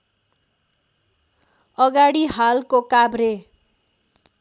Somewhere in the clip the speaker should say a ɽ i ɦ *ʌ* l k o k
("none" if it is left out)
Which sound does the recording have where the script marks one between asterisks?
a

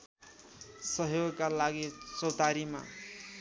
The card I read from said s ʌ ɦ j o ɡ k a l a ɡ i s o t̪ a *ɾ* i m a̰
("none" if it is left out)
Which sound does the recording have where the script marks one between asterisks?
ɾ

